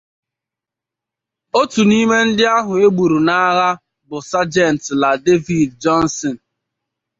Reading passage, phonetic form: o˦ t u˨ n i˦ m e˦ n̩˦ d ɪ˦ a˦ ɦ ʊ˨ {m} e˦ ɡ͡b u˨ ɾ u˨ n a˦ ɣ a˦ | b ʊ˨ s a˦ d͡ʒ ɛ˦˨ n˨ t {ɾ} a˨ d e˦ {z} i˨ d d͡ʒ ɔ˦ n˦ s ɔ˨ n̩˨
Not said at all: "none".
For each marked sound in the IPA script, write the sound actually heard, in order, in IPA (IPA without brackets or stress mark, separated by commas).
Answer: none, l, v